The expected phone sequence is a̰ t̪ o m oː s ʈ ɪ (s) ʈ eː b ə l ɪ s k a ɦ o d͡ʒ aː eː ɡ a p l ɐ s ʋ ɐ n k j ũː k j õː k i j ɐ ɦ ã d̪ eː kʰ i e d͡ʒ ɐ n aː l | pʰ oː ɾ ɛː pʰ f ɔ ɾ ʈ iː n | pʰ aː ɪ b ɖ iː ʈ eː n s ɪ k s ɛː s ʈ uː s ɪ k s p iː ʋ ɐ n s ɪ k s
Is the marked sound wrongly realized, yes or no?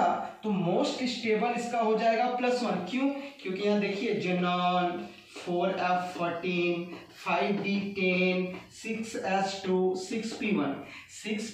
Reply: no